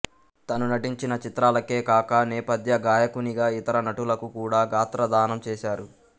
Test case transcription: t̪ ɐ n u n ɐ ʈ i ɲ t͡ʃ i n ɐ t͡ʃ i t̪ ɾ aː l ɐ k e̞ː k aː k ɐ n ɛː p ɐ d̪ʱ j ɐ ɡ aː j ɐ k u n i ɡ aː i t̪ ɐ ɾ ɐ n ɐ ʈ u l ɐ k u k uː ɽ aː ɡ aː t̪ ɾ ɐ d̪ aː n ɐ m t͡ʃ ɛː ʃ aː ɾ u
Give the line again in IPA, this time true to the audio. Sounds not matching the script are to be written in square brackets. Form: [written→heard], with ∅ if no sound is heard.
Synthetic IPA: t̪ ɐ n u n ɐ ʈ i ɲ t͡ʃ i n ɐ t͡ʃ i t̪ ɾ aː l ɐ k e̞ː k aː k ɐ n ɛː p ɐ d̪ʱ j ɐ ɡ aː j ɐ k u n i ɡ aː i t̪ ɐ ɾ ɐ n ɐ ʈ u l ɐ k u k uː ɽ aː ɡ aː t̪ ɾ ɐ d̪ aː n ɐ m t͡ʃ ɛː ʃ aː ɾ u